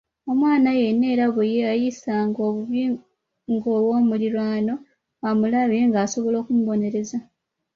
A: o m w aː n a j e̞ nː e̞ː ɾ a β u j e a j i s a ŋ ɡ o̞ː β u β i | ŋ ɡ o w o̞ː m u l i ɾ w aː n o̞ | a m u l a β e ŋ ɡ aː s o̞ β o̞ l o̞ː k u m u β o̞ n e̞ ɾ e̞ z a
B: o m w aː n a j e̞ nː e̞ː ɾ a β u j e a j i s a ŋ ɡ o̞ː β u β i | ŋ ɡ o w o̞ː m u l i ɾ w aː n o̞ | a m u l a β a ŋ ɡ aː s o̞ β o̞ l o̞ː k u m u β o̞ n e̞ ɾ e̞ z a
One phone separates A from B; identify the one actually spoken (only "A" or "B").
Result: A